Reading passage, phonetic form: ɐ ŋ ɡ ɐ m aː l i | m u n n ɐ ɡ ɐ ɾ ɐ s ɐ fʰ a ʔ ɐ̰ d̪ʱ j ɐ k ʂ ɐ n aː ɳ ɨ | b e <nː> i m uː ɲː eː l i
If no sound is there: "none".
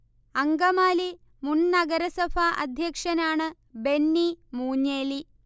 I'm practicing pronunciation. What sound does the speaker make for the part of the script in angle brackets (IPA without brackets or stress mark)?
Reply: nː